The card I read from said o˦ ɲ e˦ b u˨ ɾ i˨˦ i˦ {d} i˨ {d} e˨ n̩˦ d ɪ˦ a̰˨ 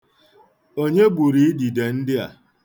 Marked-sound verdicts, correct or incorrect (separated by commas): correct, correct